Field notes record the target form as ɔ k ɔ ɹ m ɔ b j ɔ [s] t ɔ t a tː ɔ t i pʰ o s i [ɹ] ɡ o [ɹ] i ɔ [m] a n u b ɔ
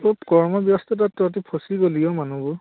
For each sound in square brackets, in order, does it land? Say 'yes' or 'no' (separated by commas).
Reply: yes, no, no, yes